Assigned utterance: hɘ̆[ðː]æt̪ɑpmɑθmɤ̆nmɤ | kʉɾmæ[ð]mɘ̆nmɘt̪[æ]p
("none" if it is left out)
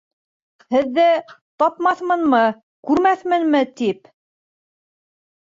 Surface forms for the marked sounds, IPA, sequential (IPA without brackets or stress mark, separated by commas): ðː, θ, i